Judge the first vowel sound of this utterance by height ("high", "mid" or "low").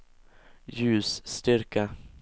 high